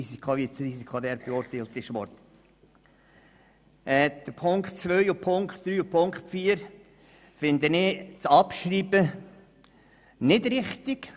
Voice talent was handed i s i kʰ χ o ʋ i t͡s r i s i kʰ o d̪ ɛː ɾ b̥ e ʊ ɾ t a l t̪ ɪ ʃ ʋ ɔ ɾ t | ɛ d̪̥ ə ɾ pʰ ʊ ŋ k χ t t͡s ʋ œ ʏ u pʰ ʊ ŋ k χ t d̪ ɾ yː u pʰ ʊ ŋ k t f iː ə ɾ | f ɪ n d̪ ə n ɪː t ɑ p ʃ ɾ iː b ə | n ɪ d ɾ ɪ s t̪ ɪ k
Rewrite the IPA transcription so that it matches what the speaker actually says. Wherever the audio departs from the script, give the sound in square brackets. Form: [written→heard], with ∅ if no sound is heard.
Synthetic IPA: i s i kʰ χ o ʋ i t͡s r i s i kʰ o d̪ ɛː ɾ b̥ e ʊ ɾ t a l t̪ ɪ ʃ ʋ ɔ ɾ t | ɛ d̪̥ ə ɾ pʰ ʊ ŋ k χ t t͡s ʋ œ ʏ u pʰ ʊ ŋ k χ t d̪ ɾ yː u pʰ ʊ ŋ k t f iː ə ɾ | f ɪ n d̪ ə n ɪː [t→t͡s] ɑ p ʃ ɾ iː b ə | n ɪ d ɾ ɪ [s→χ] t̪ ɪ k